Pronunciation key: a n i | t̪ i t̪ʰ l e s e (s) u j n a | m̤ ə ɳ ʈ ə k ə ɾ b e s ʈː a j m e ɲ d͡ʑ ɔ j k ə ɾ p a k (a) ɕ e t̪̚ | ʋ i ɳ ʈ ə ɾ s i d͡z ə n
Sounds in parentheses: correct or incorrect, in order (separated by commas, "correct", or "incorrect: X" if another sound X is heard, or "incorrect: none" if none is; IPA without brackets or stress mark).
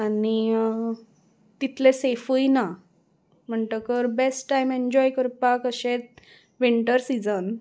incorrect: f, incorrect: ə